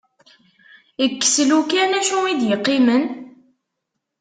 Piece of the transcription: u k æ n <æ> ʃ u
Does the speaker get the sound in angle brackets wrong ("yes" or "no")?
no